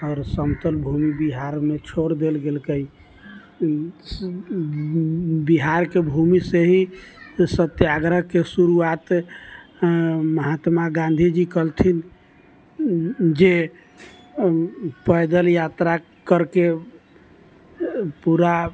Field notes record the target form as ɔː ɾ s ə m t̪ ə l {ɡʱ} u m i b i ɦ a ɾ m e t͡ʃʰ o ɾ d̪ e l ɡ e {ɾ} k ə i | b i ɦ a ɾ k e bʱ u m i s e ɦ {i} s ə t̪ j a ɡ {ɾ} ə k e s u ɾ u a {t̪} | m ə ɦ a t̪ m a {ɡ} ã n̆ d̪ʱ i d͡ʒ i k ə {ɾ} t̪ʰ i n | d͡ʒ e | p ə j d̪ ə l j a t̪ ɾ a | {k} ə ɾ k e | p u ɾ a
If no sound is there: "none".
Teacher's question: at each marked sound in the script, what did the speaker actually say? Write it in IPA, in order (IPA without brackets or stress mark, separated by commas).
bʱ, l, i, ɾ, t̪, ɡ, l, k